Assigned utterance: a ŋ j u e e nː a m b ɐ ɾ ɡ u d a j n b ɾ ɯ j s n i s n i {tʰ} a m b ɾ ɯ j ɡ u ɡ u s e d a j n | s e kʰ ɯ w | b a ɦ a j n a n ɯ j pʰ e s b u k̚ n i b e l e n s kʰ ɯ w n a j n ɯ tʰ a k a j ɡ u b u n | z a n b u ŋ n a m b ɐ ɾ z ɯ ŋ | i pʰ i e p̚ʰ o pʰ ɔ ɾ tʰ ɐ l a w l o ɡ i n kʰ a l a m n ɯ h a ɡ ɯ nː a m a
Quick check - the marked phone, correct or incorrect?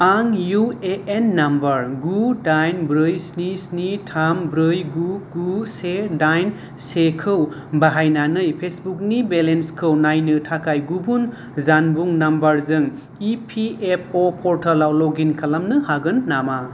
correct